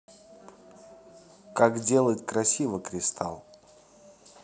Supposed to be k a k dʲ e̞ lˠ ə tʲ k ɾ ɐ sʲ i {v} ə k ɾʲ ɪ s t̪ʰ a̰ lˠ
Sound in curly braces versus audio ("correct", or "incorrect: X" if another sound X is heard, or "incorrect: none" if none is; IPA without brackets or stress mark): correct